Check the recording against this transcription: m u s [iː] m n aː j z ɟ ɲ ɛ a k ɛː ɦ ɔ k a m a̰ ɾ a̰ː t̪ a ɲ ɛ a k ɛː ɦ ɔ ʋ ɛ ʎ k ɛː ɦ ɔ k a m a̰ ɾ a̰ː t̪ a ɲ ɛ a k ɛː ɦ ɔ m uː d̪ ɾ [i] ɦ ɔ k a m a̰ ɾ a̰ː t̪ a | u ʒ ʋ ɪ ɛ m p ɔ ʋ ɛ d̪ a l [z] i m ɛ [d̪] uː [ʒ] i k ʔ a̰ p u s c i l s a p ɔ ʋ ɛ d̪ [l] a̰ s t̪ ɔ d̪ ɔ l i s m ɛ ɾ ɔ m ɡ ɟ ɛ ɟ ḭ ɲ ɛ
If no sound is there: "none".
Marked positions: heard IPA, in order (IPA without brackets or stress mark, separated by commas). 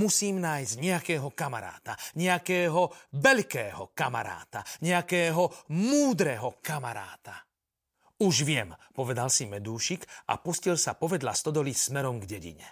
iː, ɛ, s, d̪, ʃ, l